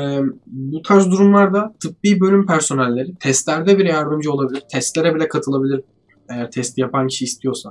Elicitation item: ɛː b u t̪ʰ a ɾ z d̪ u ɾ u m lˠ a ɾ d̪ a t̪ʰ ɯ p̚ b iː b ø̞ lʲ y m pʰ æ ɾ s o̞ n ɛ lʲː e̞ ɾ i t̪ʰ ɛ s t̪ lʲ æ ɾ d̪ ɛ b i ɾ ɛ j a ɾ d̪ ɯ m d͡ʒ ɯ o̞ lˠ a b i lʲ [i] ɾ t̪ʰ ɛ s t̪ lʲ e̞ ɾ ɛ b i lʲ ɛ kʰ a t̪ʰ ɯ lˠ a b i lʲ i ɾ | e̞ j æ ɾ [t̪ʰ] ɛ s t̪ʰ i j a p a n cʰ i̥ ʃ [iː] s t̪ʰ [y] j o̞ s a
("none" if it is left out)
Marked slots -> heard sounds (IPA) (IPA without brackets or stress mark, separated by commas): i, t̪ʰ, iː, i